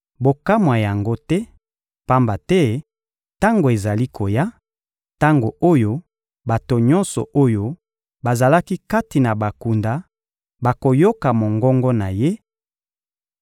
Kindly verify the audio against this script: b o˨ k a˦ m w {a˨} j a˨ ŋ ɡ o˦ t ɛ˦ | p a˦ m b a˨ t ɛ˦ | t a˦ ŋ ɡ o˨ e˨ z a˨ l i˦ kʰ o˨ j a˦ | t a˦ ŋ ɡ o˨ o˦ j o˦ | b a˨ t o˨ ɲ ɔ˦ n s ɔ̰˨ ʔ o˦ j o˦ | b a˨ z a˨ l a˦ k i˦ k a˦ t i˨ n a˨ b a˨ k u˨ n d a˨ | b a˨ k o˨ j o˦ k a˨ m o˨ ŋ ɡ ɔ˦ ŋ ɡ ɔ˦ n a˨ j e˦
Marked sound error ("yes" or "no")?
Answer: no